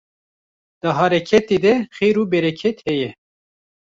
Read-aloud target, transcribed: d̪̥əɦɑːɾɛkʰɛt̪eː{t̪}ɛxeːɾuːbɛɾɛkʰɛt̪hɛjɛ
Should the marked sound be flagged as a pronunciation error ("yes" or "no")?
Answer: yes